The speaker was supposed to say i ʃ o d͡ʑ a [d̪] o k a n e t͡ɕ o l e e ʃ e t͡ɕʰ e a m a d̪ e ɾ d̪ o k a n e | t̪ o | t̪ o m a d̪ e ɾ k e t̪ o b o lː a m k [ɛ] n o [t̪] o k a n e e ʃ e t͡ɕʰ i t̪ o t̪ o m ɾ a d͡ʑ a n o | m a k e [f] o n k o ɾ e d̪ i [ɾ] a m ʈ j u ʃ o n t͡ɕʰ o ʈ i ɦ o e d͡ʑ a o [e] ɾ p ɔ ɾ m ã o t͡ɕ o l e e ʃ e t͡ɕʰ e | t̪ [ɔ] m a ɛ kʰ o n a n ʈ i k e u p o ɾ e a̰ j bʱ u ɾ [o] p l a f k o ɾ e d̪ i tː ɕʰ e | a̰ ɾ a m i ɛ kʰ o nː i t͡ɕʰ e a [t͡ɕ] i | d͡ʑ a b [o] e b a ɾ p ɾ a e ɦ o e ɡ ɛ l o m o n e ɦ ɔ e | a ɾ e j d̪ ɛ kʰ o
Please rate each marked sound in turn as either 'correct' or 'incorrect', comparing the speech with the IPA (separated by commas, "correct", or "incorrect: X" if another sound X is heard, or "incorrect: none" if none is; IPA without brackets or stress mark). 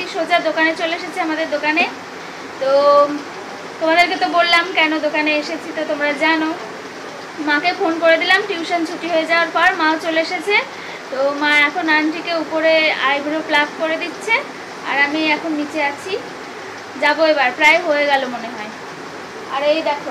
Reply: correct, correct, incorrect: d̪, correct, incorrect: l, incorrect: a, incorrect: o, correct, incorrect: t͡ɕʰ, correct